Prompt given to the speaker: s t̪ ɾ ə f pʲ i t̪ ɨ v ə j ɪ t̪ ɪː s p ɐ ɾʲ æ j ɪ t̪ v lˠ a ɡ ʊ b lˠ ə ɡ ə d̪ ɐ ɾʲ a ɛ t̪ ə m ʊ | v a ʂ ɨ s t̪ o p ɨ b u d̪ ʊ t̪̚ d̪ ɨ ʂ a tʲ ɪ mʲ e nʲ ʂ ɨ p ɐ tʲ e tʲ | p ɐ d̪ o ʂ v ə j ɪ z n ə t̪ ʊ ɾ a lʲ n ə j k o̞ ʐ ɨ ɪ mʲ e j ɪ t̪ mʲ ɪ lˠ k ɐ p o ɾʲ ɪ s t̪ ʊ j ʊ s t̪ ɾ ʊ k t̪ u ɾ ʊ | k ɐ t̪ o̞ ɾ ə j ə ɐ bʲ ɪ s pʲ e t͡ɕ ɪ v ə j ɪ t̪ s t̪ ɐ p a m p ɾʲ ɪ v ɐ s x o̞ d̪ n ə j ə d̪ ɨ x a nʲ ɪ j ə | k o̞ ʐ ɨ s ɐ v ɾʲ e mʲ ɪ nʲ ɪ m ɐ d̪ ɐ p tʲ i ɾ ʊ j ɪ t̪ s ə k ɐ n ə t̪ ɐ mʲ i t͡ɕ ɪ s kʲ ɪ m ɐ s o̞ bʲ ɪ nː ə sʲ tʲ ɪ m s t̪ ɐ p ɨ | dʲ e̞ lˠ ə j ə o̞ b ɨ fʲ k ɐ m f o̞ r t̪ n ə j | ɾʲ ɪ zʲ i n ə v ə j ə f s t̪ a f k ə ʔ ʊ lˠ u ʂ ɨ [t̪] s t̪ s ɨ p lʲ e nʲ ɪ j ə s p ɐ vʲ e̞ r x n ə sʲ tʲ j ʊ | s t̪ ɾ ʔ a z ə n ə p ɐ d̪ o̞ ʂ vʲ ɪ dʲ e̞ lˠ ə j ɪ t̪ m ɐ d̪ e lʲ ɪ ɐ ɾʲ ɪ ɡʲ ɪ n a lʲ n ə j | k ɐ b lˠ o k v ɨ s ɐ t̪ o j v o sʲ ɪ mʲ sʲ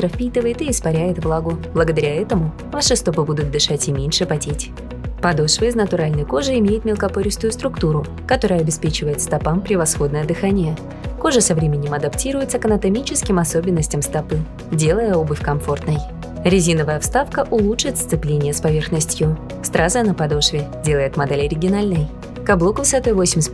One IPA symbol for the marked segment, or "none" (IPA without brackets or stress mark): t̪